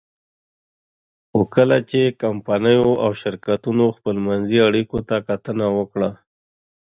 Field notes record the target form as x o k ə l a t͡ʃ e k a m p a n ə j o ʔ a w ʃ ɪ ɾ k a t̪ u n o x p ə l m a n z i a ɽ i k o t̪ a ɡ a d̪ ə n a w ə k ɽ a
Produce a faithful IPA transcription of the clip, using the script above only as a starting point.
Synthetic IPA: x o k ə l a t͡ʃ e k a m p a n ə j o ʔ a w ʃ ɪ ɾ k a t̪ u n o x p ə l m a n z i a ɽ i k o t̪ a k a t̪ ə n a w ə k ɽ a